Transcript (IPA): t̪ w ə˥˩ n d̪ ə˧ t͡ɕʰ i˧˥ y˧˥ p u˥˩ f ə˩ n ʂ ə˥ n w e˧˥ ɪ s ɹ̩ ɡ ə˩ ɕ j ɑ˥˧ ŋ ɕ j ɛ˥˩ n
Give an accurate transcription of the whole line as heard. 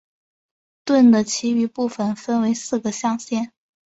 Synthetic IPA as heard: t̪ w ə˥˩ n d̪ ə˩ t͡ɕʰ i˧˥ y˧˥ p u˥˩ f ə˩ n f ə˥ n w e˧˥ ɪ s ɹ̩ ɡ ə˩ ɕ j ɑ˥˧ ŋ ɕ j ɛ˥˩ n